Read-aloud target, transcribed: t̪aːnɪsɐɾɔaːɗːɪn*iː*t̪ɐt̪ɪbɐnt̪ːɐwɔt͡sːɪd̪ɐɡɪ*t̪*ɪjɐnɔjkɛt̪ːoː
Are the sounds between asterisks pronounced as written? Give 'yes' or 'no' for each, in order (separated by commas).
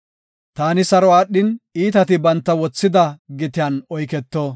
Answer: yes, yes